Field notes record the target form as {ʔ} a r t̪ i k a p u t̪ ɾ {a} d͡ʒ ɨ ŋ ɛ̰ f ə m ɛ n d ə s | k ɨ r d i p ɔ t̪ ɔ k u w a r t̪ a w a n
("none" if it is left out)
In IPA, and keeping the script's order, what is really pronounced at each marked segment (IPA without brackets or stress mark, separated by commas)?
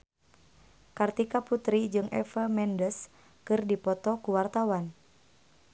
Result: k, i